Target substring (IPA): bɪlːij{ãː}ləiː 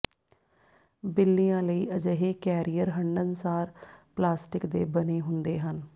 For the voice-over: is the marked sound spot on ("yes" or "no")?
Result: yes